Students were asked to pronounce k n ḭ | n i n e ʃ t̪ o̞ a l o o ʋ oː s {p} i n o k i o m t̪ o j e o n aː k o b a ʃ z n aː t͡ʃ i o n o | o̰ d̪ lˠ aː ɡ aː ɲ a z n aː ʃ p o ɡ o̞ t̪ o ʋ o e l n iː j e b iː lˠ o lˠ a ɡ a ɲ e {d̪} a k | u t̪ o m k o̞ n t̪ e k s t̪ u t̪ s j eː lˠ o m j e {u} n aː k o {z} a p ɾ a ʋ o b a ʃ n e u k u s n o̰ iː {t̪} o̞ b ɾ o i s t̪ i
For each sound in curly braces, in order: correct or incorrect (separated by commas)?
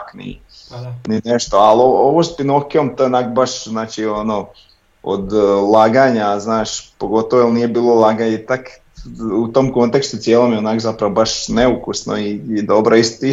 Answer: correct, incorrect, incorrect, correct, incorrect